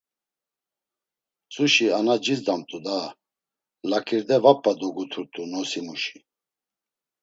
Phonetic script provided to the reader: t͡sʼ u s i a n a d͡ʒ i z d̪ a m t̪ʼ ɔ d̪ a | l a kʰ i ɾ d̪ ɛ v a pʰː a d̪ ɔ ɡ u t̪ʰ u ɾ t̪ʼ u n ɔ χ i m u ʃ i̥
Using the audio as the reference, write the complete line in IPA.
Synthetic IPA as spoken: t͡sʼ u ʃ i a n a d͡ʒ i z d̪ a m t̪ʼ u d̪ a | l a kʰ i ɾ d̪ ɛ v a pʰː a d̪ ɔ ɡ u t̪ʰ u ɾ t̪ʼ u n ɔ s i m u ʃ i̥